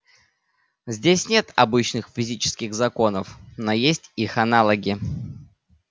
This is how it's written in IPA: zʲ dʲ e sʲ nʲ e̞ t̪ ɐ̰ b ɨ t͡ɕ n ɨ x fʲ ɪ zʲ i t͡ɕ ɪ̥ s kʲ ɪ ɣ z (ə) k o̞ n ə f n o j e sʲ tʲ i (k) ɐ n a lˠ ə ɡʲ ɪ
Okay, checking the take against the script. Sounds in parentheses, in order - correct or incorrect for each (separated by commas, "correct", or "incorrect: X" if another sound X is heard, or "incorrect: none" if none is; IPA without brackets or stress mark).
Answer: incorrect: ɐ, incorrect: x